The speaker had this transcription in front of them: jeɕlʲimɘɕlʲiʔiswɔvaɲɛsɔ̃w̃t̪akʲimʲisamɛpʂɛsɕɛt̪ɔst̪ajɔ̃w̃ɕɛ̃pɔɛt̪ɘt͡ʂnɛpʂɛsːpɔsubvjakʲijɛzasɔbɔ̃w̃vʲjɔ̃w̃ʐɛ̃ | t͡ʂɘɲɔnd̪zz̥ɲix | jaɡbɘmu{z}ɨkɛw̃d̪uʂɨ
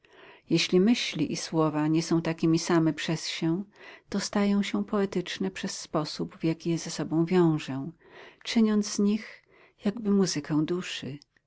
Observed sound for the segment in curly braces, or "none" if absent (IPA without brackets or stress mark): z